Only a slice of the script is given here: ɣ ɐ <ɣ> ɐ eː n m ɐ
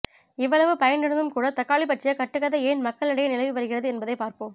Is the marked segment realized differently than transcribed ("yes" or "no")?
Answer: yes